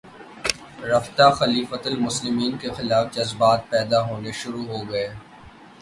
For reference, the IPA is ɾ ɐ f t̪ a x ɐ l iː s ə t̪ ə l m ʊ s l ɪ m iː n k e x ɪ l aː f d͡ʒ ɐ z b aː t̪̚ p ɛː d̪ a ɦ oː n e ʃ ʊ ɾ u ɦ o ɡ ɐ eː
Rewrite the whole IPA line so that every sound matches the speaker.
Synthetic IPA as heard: ɾ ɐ f t̪ a x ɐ l iː f ə t̪ ə l m ʊ s l ɪ m iː n k e x ɪ l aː f d͡ʒ ɐ z b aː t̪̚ p ɛː d̪ a ɦ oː n e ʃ ʊ ɾ u ɦ o ɡ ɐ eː